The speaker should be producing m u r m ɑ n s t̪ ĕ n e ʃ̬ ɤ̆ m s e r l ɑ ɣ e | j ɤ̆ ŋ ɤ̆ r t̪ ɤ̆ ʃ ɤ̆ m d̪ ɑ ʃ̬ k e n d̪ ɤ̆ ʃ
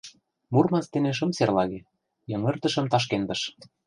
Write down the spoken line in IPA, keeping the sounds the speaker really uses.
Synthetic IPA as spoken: m u r m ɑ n s t̪ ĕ n e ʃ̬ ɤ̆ m s e r l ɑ ɣ e | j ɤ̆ ŋ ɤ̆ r t̪ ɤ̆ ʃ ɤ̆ m t̪ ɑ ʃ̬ k e n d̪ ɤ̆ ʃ